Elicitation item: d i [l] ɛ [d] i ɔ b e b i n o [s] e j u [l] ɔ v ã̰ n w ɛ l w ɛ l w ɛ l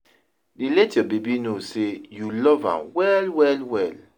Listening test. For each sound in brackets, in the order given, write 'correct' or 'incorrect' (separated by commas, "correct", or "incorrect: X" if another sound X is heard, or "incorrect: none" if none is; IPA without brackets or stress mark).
correct, incorrect: t, correct, correct